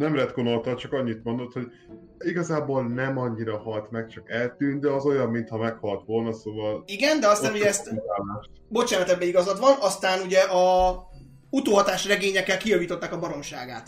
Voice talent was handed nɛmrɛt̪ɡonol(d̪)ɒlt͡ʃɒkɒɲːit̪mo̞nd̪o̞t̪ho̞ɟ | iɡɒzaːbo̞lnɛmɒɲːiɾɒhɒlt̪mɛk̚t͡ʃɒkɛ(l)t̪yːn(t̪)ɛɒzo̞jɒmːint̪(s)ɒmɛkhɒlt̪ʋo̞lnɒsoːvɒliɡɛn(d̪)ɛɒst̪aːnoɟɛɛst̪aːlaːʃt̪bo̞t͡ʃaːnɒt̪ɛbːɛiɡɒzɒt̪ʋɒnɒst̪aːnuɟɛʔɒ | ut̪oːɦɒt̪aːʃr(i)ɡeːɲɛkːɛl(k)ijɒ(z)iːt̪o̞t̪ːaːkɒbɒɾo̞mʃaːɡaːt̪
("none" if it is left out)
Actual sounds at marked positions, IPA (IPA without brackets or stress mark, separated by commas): t̪, l, d̪, h, d̪, ɛ, k, v